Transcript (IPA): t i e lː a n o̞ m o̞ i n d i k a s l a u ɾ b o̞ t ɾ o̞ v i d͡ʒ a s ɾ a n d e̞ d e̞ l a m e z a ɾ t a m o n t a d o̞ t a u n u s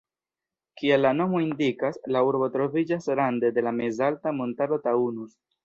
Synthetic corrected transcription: k i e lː a n o̞ m o̞ i n d i k a s l a u ɾ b o̞ t ɾ o̞ v i d͡ʒ a s ɾ a n d e̞ d e̞ l a m e z a l t a m o n t a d o̞ t a u n u s